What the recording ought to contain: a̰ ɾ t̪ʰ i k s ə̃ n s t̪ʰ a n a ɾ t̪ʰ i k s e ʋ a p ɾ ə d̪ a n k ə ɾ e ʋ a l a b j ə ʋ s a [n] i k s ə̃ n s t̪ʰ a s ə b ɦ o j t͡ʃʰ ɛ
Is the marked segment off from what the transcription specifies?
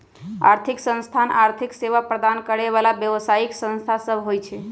yes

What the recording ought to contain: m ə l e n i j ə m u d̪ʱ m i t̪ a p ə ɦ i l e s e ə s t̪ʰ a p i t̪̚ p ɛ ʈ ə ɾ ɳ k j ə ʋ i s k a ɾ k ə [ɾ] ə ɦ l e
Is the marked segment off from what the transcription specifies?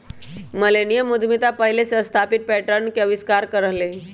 no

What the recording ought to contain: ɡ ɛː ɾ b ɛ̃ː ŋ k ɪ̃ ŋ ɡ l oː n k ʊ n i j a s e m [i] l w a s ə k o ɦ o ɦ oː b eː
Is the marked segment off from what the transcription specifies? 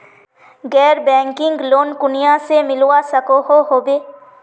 yes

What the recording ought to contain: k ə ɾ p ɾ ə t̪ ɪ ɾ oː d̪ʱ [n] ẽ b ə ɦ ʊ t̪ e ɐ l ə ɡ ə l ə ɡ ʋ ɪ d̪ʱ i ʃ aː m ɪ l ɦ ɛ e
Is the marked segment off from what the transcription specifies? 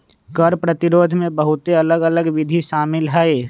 yes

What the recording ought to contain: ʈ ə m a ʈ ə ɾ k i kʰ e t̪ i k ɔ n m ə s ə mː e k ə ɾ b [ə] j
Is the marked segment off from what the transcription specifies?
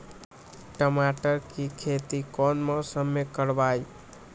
yes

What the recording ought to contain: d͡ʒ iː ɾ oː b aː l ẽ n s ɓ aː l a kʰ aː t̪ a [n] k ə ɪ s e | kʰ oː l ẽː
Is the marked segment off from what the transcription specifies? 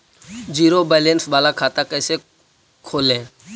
yes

